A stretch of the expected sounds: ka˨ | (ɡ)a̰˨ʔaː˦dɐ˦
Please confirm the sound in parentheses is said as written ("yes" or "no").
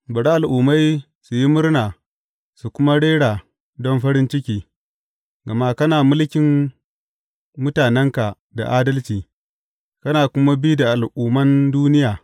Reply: no